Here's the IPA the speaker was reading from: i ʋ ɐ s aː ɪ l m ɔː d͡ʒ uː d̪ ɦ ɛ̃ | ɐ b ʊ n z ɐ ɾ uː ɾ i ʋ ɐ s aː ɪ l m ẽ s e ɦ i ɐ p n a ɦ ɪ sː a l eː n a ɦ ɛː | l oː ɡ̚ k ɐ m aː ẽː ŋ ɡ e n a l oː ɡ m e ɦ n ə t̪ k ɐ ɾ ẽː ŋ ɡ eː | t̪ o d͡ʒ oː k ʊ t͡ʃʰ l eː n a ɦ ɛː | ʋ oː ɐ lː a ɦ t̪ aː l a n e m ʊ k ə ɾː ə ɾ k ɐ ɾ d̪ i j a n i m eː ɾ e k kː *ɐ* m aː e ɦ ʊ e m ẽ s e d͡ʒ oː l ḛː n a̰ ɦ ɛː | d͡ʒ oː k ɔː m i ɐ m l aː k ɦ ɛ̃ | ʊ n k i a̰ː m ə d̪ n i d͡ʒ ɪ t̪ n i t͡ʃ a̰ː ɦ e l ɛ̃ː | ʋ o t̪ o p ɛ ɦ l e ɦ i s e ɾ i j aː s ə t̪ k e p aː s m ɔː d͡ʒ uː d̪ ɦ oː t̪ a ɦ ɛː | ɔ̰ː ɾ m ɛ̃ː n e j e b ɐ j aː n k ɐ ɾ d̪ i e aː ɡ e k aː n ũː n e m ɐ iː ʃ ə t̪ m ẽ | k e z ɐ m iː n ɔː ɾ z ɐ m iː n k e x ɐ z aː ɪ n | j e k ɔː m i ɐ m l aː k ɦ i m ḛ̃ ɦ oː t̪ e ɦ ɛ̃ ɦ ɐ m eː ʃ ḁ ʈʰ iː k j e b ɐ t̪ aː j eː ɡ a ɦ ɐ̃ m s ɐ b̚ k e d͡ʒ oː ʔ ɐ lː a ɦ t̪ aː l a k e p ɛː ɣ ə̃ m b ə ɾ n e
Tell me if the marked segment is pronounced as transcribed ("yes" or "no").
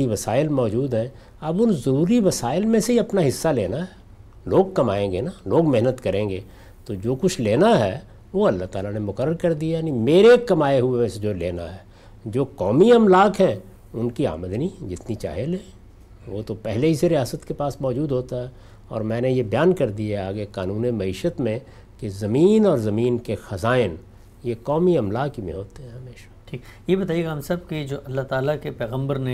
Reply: yes